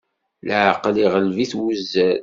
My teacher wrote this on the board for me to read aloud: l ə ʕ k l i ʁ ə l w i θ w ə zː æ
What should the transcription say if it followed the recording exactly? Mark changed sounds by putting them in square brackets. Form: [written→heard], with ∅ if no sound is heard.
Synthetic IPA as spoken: l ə ʕ [k→q] l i ʁ ə l [w→v] i θ w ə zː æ

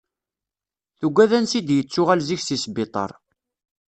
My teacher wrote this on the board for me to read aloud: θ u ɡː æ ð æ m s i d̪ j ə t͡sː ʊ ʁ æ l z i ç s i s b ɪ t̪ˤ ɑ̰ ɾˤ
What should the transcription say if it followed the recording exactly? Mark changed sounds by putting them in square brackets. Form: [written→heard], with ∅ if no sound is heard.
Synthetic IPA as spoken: θ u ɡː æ ð æ [m→n] s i d̪ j ə t͡sː ʊ ʁ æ l z i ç s i s b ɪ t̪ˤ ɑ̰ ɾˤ

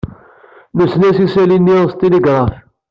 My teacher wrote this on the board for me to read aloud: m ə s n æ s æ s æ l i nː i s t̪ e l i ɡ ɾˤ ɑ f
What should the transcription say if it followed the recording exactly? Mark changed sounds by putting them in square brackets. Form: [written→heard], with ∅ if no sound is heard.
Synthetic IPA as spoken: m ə s n æ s [æ→i] s æ l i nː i s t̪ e l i ɡ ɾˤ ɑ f

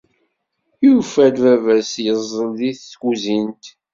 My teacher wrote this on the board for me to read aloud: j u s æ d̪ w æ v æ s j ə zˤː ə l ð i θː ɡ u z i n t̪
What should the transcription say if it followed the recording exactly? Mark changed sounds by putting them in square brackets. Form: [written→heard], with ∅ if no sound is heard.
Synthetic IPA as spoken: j u [s→f] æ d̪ [w→v] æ v æ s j ə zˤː ə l ð i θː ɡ u z i n t̪

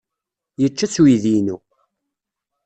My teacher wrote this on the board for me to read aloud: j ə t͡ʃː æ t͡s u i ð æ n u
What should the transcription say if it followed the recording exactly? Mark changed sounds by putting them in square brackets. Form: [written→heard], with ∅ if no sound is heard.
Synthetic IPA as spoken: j ə t͡ʃː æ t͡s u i ð [æ→i] n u

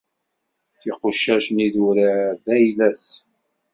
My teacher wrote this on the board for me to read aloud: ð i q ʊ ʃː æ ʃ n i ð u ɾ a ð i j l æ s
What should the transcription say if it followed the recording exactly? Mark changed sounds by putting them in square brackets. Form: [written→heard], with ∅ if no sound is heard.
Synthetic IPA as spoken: [ð→θ] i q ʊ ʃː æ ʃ n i ð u ɾ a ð [i→æ] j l æ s

